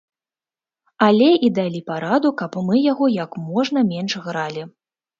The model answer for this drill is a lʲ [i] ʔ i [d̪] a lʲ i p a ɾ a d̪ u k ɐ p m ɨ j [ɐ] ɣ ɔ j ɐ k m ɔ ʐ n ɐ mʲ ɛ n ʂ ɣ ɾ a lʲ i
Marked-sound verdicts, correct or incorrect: incorrect, correct, incorrect

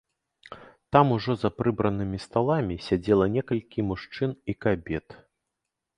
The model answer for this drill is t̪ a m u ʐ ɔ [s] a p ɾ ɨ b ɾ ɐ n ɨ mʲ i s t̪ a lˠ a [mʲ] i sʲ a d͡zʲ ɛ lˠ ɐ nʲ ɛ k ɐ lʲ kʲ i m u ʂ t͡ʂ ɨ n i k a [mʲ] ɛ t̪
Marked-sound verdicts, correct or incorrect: incorrect, correct, incorrect

